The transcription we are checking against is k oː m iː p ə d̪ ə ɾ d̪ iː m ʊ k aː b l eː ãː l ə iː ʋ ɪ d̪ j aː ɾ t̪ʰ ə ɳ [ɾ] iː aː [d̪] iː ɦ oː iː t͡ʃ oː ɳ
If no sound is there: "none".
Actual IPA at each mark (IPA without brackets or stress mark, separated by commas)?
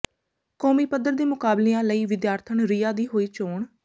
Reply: ɾ, d̪